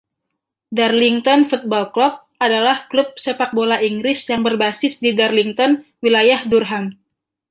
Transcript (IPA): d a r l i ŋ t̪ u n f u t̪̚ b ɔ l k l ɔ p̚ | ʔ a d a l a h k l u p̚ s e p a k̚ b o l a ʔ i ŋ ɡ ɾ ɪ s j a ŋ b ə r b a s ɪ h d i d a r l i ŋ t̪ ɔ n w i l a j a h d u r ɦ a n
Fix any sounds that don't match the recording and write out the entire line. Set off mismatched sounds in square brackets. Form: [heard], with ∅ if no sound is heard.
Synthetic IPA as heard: d a r l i ŋ t̪ [ɔ] n f u t̪̚ b ɔ l k l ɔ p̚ | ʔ a d a l a h k l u p̚ s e p a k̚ b o l a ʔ i ŋ ɡ ɾ ɪ s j a ŋ b ə r b a s ɪ [s] d i d a r l i ŋ t̪ ɔ n w i l a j a h d u r ɦ a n